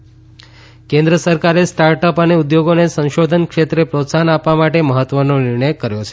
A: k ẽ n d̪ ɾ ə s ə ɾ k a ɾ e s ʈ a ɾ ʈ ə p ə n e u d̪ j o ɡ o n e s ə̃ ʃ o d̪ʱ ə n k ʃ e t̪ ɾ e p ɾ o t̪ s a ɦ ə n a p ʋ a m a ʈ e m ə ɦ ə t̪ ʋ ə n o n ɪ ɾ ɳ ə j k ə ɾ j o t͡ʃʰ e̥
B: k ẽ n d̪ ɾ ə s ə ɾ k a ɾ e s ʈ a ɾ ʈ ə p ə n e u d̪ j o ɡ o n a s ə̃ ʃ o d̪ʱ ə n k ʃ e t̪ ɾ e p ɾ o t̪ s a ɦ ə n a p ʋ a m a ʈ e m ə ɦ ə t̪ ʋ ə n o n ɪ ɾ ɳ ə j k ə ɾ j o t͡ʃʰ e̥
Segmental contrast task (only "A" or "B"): A